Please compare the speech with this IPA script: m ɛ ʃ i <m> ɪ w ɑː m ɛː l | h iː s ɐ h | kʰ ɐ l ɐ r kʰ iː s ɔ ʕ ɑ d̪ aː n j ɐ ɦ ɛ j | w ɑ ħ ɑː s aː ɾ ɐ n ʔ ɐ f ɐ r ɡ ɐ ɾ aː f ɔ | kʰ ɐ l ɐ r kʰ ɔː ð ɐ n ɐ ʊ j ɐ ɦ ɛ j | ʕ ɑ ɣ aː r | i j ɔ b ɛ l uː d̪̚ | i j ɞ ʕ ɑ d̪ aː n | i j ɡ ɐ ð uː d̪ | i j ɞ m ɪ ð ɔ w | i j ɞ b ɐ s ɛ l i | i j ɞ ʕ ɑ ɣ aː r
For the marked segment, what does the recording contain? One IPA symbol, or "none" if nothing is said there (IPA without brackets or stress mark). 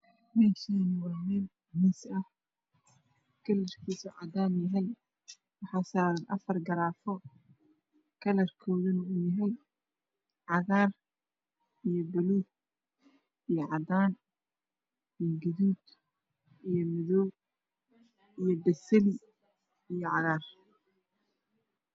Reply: n